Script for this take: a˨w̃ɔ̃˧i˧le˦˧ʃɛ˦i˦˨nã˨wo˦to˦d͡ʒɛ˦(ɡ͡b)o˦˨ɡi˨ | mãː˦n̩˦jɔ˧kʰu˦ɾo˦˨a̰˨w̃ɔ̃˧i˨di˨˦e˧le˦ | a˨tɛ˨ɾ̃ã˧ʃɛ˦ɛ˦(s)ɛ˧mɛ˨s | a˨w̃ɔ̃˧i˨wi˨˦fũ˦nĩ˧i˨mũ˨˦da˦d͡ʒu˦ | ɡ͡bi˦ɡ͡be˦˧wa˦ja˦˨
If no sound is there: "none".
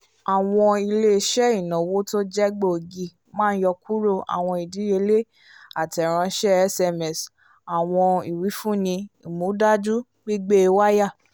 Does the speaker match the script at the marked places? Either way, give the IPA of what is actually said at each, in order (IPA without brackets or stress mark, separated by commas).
ɡ͡b, s